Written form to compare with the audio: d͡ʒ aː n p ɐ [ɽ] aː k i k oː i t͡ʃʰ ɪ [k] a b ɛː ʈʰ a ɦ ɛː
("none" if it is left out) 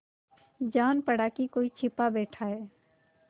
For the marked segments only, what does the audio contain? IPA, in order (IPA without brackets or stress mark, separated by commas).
ɽ, p